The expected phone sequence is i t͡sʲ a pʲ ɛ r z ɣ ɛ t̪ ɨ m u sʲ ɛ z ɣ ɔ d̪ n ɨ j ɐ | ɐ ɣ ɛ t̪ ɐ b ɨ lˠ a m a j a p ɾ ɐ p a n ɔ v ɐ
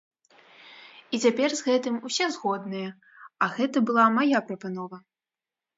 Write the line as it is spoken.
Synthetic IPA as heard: i t͡sʲ a pʲ ɛ r z ɣ ɛ t̪ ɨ m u sʲ ɛ z ɣ ɔ d̪ n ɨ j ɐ | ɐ ɣ ɛ t̪ ɐ b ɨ lˠ a m a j a p ɾ ɐ p a n ɔ v ɐ